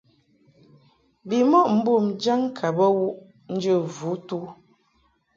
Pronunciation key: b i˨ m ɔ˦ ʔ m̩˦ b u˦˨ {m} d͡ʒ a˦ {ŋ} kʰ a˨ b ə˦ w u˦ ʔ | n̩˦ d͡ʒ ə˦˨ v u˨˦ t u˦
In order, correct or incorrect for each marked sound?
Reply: correct, correct

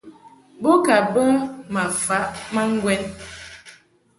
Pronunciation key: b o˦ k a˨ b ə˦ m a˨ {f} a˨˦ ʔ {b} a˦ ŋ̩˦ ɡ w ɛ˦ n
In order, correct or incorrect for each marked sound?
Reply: correct, incorrect

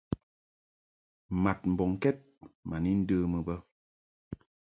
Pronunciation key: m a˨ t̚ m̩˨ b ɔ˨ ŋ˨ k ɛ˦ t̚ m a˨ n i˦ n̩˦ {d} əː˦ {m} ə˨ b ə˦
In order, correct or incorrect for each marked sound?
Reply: correct, correct

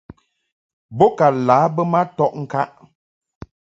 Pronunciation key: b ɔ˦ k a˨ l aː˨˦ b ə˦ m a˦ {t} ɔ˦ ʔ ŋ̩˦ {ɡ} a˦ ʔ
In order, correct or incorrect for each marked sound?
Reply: correct, incorrect

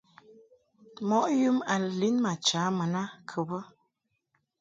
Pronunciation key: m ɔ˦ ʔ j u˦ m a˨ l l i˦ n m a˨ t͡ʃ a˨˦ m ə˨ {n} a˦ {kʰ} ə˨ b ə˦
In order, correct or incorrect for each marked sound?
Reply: correct, correct

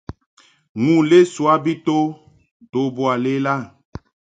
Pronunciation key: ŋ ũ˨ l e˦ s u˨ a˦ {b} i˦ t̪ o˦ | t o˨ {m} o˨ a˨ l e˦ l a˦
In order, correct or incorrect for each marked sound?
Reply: correct, incorrect

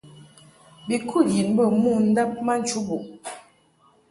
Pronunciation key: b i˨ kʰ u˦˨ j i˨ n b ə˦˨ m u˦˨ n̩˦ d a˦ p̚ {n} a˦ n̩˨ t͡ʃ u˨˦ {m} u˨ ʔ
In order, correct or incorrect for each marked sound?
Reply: incorrect, incorrect

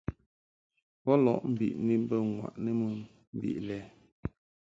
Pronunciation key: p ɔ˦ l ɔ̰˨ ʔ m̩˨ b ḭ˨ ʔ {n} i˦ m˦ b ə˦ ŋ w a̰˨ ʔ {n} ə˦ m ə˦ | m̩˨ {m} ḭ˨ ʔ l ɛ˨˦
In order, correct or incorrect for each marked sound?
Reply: correct, correct, incorrect

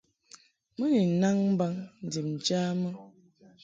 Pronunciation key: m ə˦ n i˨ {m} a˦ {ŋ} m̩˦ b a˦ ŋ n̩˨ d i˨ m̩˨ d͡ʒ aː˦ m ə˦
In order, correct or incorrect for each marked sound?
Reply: incorrect, correct

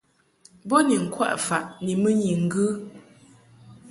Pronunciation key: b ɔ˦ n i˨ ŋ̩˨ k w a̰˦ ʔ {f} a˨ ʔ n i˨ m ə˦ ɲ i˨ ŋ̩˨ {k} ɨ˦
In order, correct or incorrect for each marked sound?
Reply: correct, incorrect

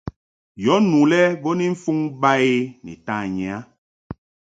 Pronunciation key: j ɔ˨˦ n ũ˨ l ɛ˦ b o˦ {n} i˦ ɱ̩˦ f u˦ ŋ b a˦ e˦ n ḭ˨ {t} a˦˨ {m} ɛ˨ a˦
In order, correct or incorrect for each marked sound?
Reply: correct, correct, incorrect

